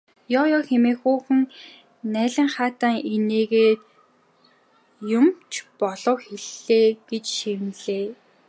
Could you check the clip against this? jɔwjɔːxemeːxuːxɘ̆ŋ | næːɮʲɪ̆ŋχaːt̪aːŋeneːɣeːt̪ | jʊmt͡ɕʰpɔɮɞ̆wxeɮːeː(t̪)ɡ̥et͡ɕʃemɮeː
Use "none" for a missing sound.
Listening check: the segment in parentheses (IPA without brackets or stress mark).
none